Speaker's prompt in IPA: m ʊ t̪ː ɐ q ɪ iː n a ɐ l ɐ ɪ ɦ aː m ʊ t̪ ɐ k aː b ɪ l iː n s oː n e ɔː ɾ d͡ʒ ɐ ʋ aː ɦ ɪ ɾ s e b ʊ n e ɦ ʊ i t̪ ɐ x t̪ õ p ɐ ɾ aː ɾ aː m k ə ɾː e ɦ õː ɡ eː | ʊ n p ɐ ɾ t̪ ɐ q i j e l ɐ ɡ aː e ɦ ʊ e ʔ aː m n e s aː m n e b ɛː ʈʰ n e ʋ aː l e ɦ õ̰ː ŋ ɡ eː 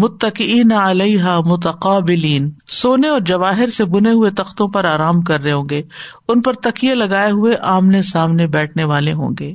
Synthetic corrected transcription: m ʊ t̪ː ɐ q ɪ iː n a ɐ l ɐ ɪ ɦ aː m ʊ t̪ ɐ q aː b ɪ l iː n s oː n e ɔː ɾ d͡ʒ ɐ ʋ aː ɦ ɪ ɾ s e b ʊ n e ɦ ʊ e t̪ ɐ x t̪ õ p ɐ ɾ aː ɾ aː m k ɐ ɾː e ɦ õː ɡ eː | ʊ n p ɐ ɾ t̪ ɐ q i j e l ɐ ɡ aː e ɦ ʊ e ʔ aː m n e s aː m n e b ɛː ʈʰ n e ʋ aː l e ɦ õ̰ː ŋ ɡ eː